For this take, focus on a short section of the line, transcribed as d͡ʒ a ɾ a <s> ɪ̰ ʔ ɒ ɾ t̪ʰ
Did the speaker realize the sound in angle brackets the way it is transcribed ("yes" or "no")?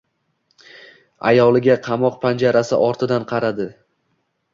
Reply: yes